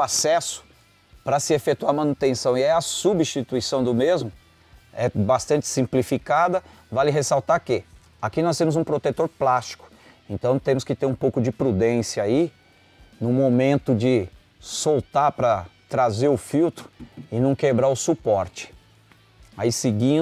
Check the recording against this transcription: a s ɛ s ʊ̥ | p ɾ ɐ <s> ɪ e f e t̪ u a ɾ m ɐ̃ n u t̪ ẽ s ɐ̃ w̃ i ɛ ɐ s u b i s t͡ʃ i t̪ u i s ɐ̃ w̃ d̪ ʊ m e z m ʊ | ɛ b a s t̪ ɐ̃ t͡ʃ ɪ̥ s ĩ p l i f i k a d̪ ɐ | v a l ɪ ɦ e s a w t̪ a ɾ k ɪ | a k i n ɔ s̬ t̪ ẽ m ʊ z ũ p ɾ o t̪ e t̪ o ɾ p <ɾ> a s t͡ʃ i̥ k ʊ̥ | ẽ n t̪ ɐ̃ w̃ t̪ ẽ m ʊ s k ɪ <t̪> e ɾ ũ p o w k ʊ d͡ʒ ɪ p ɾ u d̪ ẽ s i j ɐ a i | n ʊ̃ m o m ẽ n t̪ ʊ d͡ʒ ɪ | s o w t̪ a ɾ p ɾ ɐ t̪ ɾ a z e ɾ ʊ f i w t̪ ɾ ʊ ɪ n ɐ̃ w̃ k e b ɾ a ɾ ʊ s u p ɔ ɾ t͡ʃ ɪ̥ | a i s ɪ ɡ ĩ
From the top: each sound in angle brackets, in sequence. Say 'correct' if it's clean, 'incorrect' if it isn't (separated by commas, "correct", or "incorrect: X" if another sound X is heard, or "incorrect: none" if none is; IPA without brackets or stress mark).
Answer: correct, incorrect: l, correct